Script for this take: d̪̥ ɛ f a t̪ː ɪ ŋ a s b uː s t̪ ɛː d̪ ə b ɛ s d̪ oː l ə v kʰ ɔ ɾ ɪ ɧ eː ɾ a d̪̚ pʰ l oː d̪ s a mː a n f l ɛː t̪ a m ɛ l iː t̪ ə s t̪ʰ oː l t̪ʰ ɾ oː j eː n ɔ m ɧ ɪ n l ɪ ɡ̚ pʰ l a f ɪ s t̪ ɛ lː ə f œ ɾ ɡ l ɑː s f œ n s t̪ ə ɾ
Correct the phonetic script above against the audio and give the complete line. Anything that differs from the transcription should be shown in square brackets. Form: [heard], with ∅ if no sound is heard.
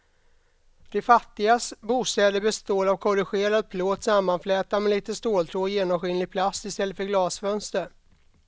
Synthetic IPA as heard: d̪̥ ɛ f a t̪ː ɪ [ɡ] a s b uː s t̪ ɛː d̪ ə b ɛ s [t̪] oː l [a] v kʰ ɔ ɾ ɪ ɧ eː ɾ a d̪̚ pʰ l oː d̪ s a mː a n f l ɛː t̪ a m ɛ l iː t̪ ə s [t̪] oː l t̪ʰ ɾ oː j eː n ɔ m ɧ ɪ n l ɪ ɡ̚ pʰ l a [s] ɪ s t̪ ɛ lː ə f œ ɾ ɡ l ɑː s f œ n s t̪ ə ɾ